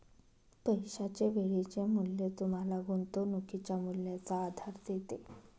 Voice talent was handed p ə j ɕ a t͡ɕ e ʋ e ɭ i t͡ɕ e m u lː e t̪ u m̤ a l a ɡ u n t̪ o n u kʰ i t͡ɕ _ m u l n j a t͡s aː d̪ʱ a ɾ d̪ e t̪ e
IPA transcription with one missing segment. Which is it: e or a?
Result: a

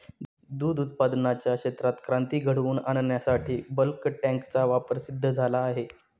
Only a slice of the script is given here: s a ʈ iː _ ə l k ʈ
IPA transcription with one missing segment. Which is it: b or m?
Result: b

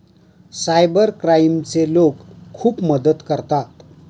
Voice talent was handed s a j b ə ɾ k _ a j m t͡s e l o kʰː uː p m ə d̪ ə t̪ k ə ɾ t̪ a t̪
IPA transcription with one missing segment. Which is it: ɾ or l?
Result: ɾ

